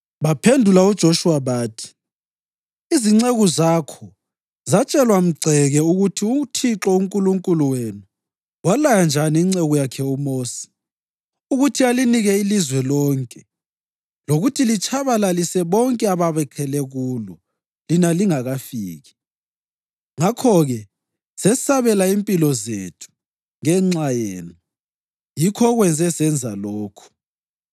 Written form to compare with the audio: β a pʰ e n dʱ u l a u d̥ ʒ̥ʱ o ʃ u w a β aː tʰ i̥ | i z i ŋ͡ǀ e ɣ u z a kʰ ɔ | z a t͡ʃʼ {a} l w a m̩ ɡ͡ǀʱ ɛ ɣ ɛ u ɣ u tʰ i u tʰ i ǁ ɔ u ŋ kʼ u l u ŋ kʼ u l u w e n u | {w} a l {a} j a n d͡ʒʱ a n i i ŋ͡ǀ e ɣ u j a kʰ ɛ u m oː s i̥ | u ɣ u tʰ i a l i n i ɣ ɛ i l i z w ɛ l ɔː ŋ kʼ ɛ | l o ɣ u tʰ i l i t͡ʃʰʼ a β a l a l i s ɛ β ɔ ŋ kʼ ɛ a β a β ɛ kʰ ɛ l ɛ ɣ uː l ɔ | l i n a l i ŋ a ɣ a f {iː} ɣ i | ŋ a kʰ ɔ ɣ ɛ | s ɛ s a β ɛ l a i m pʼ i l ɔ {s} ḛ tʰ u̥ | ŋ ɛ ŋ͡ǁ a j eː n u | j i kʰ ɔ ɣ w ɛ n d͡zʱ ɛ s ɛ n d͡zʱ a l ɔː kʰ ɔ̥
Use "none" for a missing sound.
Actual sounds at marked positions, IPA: ɛ, w, a, iː, z

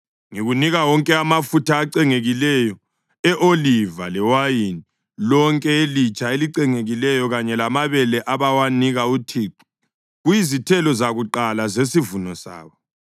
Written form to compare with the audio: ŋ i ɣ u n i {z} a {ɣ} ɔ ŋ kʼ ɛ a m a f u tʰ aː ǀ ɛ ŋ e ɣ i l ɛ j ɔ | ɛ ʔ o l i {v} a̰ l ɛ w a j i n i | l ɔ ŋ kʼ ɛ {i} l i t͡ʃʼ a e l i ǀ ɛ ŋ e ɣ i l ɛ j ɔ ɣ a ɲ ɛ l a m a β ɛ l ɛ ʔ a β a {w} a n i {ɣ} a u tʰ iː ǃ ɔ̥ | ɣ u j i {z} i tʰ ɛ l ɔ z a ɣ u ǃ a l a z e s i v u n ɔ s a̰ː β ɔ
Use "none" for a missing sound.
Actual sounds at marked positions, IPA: ɣ, w, v, e, w, ɣ, z

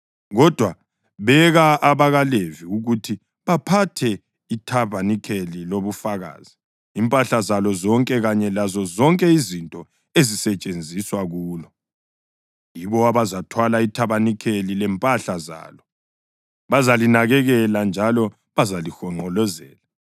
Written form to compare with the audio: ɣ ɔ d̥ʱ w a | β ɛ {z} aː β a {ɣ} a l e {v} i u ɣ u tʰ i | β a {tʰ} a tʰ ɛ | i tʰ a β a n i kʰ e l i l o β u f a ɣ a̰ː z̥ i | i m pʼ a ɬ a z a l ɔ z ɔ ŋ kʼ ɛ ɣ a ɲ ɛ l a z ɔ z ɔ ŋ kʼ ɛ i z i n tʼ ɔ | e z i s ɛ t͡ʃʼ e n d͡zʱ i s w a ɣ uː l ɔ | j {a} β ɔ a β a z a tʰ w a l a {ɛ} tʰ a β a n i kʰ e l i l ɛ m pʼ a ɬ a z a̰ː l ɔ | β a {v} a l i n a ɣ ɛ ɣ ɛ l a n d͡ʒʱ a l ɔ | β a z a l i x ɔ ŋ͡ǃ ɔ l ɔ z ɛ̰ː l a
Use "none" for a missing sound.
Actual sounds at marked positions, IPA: ɣ, ɣ, v, pʰ, i, i, z

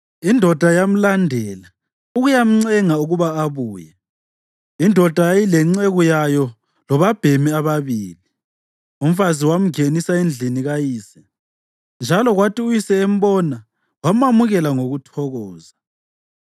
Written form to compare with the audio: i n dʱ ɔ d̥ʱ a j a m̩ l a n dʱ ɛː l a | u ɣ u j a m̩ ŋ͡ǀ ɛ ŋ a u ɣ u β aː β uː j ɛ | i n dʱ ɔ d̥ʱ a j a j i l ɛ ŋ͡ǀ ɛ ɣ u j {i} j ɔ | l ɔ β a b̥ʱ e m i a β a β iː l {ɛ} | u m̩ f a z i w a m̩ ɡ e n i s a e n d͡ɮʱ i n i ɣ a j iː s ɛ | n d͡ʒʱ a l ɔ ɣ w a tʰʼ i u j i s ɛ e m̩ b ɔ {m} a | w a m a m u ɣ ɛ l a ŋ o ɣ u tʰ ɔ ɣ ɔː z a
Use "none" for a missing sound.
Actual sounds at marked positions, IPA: a, i, n

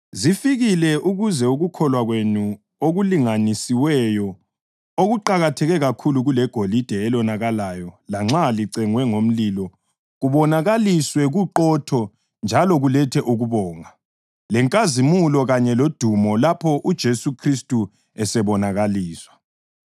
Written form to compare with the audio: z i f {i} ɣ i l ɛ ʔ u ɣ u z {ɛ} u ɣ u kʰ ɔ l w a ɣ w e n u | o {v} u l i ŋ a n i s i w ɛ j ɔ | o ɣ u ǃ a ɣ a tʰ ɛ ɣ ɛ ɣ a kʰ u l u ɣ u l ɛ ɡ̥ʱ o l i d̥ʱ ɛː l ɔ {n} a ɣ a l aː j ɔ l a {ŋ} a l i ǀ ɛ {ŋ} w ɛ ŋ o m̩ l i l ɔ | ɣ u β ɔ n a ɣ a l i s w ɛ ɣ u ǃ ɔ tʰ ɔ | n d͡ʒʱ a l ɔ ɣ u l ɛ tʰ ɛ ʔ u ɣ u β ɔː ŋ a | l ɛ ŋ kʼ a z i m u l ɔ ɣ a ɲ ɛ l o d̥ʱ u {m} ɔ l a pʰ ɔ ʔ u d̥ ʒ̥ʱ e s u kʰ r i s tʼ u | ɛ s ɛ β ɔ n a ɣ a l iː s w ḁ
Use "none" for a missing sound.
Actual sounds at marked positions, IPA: i, ɛ, ɣ, n, ŋ͡ǁ, ŋ, m

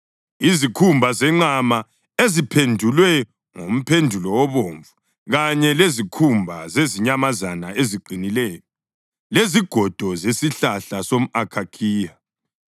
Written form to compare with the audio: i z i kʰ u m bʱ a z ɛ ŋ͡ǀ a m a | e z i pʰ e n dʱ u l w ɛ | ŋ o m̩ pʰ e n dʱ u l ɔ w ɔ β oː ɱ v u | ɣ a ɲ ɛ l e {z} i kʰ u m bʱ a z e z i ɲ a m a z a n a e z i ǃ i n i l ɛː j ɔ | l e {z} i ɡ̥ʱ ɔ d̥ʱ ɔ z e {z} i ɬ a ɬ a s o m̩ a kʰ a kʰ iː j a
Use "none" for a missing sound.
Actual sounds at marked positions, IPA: z, z, s

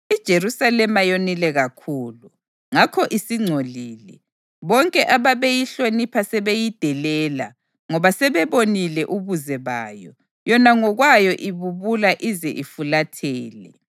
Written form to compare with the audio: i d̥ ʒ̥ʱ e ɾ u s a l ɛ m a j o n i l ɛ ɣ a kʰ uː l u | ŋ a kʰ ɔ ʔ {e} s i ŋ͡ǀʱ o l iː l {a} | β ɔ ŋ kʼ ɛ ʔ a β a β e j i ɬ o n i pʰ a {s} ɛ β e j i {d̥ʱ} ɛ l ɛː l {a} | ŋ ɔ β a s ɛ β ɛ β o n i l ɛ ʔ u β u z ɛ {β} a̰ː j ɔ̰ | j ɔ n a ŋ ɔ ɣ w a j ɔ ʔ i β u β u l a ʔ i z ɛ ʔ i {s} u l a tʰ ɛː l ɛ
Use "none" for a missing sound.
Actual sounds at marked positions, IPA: i, ɛ, s, d̥ʱ, a, β, f

